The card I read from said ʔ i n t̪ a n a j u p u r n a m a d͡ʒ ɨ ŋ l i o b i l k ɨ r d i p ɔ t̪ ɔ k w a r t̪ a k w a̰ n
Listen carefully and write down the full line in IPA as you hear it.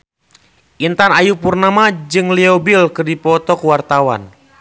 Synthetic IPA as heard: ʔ i n t̪ a n a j u p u r n a m a d͡ʒ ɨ ŋ l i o b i l k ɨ r d i p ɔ t̪ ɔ k w a r t̪ a w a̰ n